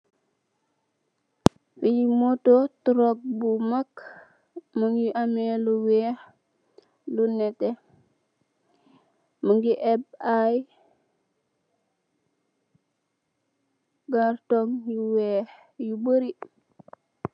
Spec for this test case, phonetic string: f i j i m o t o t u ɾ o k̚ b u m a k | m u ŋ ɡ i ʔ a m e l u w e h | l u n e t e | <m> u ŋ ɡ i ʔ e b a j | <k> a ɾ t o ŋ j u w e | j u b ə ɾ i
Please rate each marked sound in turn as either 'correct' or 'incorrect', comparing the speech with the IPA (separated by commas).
correct, incorrect